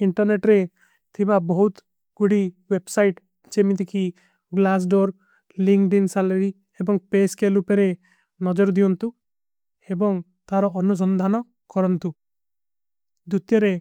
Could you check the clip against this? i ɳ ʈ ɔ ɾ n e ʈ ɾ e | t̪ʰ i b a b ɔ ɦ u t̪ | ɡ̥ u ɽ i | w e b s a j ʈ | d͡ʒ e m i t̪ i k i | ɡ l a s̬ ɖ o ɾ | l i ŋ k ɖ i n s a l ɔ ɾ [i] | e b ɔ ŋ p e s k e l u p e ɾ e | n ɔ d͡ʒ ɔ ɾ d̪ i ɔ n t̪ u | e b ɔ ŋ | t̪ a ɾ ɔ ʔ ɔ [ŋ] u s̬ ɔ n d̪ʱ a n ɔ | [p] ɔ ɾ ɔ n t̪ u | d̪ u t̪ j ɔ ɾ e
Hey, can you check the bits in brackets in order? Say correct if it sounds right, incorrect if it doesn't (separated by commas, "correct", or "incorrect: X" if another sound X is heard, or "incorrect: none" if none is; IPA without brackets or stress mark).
correct, incorrect: n, incorrect: k